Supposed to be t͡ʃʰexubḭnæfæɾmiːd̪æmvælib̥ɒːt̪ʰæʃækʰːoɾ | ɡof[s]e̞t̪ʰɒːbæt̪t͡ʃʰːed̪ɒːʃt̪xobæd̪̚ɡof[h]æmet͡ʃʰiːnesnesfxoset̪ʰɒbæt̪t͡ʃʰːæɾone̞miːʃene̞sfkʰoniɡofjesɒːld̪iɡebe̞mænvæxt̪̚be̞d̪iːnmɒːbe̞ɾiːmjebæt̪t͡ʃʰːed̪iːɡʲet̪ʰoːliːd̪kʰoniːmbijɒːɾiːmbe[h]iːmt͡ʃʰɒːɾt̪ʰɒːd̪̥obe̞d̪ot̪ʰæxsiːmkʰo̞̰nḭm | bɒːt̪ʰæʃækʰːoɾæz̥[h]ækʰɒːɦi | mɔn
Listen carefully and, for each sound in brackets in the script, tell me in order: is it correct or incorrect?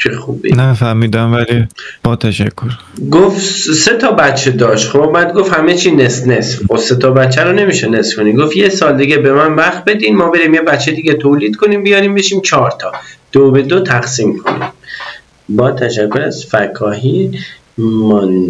correct, correct, incorrect, incorrect

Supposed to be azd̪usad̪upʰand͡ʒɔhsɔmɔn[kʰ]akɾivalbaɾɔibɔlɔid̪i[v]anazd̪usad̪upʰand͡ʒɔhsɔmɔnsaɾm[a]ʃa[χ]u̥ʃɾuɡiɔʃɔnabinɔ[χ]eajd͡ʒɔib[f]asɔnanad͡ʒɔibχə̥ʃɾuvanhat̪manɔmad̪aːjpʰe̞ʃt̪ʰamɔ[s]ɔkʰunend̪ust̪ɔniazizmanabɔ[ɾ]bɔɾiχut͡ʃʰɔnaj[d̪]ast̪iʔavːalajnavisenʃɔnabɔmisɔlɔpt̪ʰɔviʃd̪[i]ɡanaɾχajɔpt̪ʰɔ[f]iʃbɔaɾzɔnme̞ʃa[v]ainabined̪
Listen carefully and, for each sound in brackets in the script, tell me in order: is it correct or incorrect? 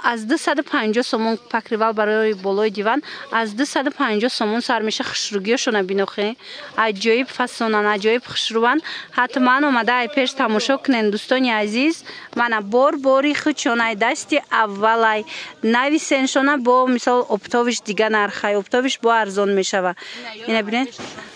incorrect, correct, incorrect, correct, correct, correct, incorrect, correct, correct, correct, incorrect, correct

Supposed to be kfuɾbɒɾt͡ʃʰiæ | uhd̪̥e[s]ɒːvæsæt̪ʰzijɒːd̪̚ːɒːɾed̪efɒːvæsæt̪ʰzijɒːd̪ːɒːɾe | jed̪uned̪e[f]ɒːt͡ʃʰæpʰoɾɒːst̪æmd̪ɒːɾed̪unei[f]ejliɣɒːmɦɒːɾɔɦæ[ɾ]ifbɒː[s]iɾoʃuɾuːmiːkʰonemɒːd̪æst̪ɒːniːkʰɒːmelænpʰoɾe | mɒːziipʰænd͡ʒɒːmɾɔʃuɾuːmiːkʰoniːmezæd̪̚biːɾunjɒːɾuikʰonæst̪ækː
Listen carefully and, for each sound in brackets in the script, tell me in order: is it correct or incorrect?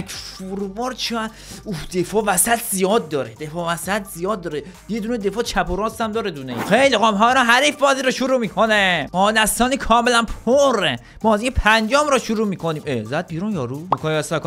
incorrect, correct, incorrect, correct, incorrect

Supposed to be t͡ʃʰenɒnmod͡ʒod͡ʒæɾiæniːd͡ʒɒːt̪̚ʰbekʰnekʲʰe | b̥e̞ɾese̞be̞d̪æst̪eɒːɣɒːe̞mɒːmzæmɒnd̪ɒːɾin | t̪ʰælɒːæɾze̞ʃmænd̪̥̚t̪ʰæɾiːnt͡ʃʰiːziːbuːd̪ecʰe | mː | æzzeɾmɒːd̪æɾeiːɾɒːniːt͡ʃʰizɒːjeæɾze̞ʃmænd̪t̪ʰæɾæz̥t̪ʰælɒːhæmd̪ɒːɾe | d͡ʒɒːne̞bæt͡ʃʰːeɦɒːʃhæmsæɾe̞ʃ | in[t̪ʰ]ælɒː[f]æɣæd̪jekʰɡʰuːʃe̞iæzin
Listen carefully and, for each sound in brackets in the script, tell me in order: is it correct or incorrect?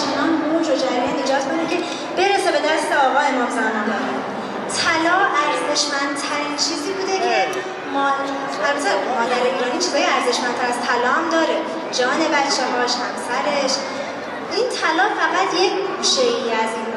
correct, correct

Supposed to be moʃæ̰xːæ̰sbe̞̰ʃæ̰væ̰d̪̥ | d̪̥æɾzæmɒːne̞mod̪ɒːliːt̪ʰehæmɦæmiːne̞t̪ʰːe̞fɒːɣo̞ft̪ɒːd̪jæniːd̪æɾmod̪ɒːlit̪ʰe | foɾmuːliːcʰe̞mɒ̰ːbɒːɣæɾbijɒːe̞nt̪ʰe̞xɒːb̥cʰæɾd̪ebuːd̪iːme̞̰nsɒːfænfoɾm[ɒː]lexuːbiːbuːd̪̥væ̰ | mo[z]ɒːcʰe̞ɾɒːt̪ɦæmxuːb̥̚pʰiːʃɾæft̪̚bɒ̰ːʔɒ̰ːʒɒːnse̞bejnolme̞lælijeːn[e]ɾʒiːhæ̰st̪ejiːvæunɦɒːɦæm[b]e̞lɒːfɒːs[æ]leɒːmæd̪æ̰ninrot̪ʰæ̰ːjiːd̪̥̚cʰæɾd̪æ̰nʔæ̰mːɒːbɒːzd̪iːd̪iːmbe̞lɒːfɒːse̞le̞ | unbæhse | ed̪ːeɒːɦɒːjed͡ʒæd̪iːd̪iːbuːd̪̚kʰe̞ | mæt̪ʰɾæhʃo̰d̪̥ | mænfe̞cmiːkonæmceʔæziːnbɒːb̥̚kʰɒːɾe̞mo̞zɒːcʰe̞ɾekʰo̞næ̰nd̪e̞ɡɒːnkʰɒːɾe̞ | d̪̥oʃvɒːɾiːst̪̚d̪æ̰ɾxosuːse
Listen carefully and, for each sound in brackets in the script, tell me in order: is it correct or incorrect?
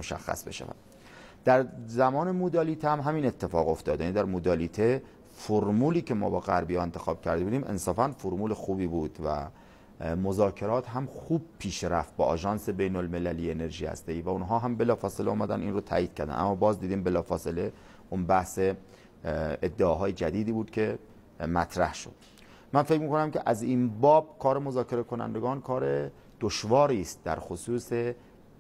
incorrect, correct, correct, correct, incorrect

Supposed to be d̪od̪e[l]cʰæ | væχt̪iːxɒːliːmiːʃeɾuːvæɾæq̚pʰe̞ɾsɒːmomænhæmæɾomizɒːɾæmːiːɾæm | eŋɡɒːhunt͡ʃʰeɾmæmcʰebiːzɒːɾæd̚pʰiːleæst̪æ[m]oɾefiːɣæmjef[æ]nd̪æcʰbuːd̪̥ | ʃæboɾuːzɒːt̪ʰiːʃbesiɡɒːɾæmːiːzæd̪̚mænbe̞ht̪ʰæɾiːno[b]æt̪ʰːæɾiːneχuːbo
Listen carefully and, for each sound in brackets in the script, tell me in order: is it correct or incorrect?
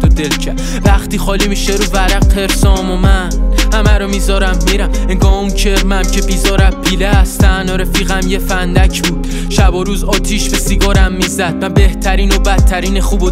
correct, incorrect, correct, correct

